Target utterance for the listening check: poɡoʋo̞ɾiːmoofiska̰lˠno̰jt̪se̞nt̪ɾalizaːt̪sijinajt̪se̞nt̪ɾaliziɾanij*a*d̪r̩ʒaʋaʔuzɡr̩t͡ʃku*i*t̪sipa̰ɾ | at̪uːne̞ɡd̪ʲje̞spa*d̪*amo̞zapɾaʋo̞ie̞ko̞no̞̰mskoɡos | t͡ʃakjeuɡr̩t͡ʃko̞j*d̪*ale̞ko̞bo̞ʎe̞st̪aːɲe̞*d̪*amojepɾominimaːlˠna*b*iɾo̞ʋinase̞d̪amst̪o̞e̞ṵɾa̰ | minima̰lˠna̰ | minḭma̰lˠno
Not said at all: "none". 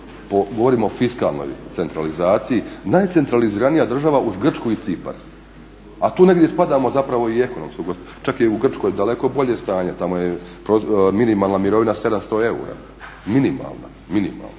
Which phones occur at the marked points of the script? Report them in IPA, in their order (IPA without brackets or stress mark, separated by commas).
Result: a, i, d̪, d̪, t̪, m